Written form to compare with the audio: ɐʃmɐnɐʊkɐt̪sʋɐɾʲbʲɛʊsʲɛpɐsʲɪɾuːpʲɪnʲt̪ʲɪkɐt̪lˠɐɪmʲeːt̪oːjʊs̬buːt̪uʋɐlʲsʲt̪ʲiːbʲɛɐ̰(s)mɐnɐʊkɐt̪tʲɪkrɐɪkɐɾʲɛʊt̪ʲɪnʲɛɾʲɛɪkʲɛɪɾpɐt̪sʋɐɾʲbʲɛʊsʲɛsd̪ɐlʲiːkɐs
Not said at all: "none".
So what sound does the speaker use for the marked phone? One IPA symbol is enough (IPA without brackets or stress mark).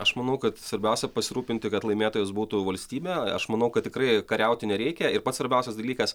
ʃ